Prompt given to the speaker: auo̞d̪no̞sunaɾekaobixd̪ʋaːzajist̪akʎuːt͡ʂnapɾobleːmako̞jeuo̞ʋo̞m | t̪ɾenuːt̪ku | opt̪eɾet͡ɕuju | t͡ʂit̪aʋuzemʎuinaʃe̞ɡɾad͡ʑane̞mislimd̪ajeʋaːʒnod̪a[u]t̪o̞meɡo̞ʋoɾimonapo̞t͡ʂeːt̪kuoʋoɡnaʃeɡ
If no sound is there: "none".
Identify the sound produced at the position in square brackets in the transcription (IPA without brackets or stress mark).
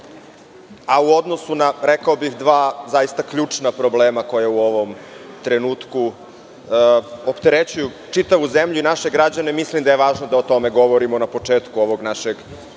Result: o